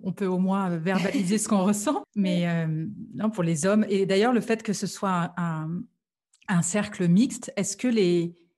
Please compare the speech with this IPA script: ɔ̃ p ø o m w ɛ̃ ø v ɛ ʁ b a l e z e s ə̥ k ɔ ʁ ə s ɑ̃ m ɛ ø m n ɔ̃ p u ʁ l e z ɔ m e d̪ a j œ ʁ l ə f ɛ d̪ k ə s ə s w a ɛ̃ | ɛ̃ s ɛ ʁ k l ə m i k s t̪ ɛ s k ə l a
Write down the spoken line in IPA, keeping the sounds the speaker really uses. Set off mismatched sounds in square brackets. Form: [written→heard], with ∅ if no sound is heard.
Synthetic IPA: ɔ̃ p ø o m w ɛ̃ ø v ɛ ʁ b a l [e→i] z e s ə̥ k [ɔ→ɔ̃] ʁ ə s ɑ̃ m ɛ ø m n ɔ̃ p u ʁ l e z ɔ m e d̪ a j œ ʁ l ə f ɛ [d̪→t̪] k ə s ə s w a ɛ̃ | ɛ̃ s ɛ ʁ k l ə m i k s t̪ ɛ s k ə l [a→e]